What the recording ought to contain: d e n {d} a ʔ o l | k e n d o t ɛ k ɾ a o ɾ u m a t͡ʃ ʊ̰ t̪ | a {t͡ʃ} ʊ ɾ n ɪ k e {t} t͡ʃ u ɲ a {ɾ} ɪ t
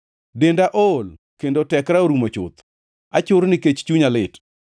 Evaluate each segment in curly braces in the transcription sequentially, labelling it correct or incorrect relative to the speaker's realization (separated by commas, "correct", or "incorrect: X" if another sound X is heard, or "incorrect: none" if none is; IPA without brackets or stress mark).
correct, correct, incorrect: t͡ʃ, incorrect: l